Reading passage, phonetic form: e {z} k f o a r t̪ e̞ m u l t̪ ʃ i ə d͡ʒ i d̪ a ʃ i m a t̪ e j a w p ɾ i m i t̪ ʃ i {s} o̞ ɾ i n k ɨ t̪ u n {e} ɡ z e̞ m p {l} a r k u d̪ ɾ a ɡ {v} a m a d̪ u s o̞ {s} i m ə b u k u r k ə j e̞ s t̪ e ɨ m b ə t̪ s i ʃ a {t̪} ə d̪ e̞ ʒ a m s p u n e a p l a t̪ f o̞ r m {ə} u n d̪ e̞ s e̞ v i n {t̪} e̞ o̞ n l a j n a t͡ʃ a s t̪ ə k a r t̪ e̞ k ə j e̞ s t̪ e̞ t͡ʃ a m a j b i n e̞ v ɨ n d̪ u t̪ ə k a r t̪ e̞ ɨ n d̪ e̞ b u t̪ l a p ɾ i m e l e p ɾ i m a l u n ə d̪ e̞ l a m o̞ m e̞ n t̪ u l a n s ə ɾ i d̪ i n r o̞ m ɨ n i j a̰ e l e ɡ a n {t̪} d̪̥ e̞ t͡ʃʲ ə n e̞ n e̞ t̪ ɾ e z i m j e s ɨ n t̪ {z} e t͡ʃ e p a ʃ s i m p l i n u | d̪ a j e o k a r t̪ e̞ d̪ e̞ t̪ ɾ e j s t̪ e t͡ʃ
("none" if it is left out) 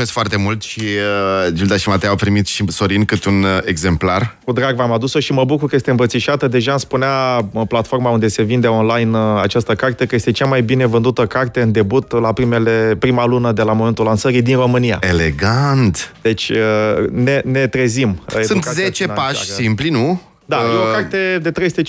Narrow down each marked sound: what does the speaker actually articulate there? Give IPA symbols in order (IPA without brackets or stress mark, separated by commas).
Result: s, s, e, l, v, ʃ, t̪, a, d̪, t̪, z